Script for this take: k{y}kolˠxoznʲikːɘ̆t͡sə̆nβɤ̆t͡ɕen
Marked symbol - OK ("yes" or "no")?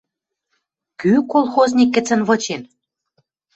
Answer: yes